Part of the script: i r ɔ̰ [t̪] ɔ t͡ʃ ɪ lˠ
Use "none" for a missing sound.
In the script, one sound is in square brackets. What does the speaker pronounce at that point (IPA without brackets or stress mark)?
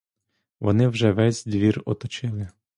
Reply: t̪